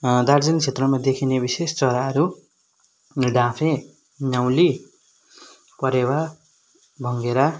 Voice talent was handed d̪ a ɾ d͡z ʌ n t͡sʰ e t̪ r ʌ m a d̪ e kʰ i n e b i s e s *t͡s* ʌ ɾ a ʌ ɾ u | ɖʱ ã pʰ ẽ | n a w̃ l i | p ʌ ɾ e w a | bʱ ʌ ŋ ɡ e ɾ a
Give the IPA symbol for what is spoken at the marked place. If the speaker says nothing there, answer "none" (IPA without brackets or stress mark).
t͡s